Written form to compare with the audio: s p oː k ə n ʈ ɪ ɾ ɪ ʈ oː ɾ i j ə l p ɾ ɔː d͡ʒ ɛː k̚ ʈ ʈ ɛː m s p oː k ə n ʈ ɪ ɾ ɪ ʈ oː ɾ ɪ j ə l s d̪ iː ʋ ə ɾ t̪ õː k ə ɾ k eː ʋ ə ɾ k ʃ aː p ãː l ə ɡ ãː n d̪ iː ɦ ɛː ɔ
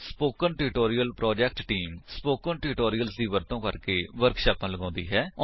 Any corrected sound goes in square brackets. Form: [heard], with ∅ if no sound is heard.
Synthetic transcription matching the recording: s p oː k ə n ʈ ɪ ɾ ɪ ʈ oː ɾ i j ə l p ɾ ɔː d͡ʒ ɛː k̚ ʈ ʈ [iː] m s p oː k ə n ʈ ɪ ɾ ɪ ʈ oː ɾ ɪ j ə l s d̪ iː ʋ ə ɾ t̪ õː k ə ɾ k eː ʋ ə ɾ k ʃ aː p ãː l ə ɡ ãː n d̪ iː ɦ ɛː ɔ